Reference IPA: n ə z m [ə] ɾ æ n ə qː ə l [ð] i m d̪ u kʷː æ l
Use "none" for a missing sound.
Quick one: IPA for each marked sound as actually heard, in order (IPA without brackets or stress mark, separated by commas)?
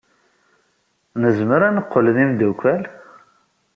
ə, ð